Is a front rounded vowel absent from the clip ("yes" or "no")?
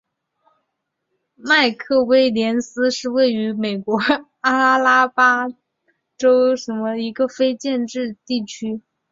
no